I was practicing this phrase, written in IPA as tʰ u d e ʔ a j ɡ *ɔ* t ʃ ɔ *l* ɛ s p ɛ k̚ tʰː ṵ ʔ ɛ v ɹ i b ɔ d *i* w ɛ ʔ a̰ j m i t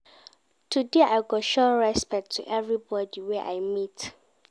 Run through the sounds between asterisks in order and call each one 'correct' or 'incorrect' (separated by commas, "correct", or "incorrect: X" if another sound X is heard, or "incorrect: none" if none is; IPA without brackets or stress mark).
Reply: correct, incorrect: ɹ, correct